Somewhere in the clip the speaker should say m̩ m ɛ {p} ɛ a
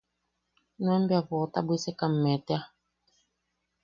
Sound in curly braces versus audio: incorrect: t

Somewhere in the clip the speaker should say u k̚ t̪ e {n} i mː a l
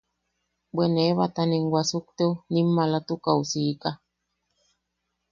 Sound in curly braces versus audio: correct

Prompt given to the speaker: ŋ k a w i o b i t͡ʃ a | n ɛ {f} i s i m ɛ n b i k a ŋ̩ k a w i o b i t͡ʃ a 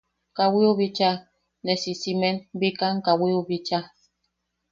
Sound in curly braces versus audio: incorrect: s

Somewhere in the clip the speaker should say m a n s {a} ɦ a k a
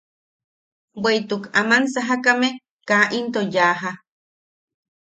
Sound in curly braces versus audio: correct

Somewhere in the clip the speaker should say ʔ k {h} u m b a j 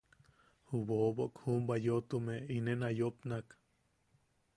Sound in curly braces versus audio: correct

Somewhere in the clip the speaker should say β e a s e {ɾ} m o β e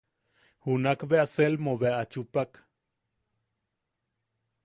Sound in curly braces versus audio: incorrect: l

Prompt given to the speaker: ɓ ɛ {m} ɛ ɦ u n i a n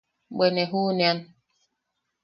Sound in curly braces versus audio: incorrect: n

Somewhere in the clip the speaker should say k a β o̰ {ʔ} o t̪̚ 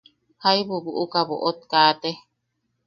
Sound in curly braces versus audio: correct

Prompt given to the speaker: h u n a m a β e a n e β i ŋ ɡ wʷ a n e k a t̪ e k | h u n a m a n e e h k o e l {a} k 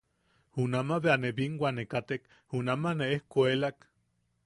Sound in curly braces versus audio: correct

